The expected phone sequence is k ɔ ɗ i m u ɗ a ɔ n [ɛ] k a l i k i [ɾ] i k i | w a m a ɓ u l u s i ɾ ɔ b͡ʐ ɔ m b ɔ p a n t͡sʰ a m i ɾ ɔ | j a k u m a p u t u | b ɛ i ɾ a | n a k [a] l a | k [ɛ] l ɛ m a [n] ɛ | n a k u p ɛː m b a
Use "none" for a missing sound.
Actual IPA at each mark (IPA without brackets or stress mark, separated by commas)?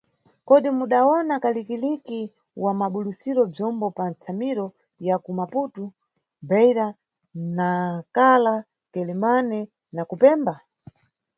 a, l, a, ɛ, n